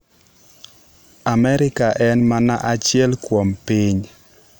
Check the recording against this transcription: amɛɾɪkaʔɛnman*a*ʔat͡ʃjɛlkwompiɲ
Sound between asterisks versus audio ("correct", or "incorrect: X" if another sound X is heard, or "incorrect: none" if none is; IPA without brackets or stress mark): correct